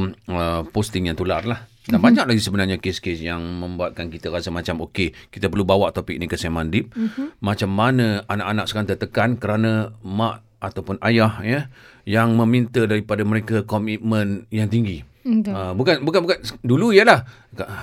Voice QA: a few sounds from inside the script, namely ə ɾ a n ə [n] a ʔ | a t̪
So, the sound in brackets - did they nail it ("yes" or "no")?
no